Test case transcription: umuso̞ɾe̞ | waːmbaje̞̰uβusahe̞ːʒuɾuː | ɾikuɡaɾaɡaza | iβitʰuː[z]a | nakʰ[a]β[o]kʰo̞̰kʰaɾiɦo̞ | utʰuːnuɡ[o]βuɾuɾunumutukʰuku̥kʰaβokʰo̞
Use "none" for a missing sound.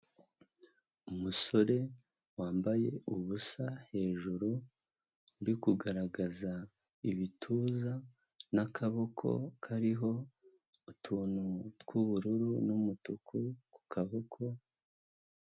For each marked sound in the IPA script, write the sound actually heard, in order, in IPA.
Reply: z, a, o, u

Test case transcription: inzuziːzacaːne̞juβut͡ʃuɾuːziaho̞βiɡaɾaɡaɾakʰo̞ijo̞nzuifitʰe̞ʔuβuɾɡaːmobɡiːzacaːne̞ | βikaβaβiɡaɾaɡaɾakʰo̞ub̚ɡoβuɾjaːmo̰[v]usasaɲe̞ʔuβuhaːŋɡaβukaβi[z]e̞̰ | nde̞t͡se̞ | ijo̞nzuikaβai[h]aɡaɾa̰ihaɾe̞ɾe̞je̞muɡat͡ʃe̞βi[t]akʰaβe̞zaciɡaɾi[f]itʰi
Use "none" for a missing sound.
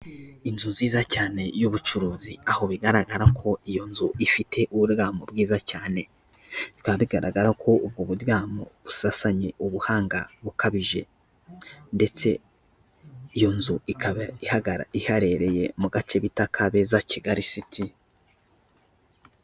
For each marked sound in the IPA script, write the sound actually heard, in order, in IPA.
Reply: β, ʒ, h, t, s

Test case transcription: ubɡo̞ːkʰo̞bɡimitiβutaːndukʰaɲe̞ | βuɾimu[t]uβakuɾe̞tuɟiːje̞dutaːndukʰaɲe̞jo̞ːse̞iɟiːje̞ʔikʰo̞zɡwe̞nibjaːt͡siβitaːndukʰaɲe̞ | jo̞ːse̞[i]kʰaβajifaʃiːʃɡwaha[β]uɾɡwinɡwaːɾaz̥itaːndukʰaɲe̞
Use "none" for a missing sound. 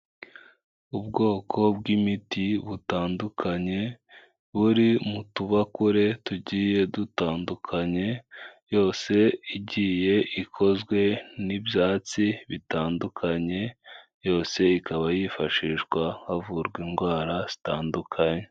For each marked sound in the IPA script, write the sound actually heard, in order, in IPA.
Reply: t, i, v

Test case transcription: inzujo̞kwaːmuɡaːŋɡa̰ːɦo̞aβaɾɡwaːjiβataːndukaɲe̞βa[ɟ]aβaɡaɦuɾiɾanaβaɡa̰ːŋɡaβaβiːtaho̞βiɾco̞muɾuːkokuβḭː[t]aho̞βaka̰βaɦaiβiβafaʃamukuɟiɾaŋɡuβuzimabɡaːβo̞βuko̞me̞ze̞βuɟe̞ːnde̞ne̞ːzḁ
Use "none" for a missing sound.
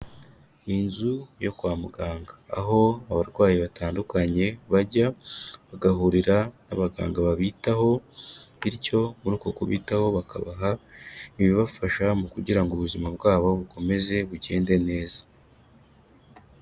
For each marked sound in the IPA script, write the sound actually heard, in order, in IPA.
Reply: ɟ, t

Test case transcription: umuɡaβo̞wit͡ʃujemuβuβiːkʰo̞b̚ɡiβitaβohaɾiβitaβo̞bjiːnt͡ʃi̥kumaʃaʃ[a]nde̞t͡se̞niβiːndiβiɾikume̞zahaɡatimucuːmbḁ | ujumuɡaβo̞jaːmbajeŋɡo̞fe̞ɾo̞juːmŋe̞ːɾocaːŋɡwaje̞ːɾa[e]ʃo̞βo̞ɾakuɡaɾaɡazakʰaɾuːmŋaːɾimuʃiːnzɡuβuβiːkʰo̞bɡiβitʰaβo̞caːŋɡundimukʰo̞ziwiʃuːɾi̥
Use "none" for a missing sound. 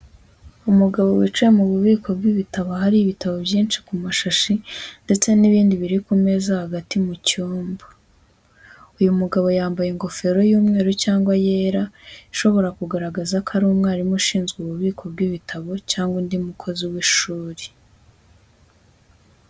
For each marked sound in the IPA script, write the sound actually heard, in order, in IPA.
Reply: i, i

